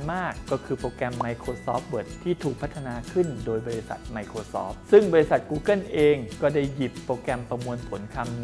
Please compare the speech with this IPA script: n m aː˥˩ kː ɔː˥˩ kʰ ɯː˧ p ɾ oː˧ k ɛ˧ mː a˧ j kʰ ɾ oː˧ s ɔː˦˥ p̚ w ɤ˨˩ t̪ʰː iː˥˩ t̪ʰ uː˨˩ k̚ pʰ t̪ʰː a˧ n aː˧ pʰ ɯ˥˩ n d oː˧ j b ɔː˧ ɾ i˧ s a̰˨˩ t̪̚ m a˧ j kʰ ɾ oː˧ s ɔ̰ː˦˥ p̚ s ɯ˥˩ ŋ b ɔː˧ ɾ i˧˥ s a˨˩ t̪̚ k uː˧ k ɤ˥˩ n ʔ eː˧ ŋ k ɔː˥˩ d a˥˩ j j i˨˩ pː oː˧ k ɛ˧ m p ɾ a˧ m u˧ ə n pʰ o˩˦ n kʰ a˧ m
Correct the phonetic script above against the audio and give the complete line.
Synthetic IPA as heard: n m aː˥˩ kː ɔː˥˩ kʰ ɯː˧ p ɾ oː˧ k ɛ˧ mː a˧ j kʰ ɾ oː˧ s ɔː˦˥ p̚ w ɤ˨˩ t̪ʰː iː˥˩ t̪ʰ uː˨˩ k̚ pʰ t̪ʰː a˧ n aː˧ kʰ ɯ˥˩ n d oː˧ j b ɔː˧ ɾ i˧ s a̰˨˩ t̪̚ m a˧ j kʰ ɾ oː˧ s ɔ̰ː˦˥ p̚ s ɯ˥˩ ŋ b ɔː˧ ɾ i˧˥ s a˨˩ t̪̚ k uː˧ k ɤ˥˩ n ʔ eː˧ ŋ k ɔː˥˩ d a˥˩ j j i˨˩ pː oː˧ k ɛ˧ m p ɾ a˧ m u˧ ə n pʰ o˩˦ n kʰ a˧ m